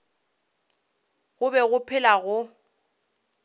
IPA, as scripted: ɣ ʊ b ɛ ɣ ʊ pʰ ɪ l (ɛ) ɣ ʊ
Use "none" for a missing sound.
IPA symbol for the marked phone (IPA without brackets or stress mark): a